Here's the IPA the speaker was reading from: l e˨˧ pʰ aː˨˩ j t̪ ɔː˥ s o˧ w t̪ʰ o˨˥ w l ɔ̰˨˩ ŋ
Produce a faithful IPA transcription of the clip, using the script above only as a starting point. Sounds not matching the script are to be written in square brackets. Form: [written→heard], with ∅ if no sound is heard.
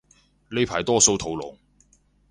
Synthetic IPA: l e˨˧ pʰ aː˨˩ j t̪ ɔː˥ s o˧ w t̪ʰ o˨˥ w l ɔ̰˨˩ ŋ